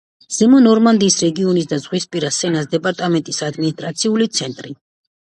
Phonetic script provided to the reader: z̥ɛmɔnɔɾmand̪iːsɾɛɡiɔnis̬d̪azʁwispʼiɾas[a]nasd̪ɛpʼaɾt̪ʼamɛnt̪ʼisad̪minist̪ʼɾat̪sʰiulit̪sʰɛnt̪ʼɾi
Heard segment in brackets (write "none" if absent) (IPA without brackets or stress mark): ɛ